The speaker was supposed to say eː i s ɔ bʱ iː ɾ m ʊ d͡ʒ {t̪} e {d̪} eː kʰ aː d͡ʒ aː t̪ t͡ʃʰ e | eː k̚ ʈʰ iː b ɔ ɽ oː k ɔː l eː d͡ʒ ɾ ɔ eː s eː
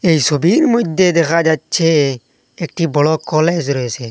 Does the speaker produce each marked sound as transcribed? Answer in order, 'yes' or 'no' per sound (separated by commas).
no, yes